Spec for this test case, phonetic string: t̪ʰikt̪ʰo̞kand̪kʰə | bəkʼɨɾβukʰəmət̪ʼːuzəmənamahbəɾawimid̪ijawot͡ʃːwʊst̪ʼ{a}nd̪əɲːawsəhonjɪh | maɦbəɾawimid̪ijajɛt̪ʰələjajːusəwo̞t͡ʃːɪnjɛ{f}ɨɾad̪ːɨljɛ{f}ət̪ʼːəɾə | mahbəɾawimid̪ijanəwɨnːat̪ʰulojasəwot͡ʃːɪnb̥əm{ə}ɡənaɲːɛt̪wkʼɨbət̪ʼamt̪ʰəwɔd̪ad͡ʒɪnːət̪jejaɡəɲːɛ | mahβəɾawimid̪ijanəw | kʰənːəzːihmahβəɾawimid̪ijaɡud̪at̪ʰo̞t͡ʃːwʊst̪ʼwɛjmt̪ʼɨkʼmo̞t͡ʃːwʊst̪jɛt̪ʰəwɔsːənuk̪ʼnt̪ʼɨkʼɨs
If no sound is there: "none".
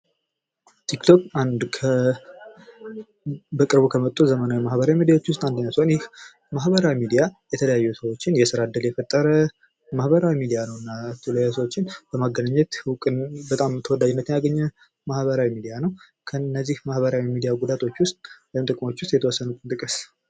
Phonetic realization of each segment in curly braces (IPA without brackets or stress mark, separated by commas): a, s, f, a